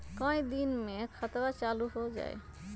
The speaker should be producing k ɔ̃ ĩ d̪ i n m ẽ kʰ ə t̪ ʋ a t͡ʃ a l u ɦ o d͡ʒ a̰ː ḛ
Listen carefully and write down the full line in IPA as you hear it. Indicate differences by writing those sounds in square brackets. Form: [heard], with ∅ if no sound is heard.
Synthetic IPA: k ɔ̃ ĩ d̪ i n m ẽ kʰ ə t̪ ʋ a t͡ʃ a l u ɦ o d͡ʒ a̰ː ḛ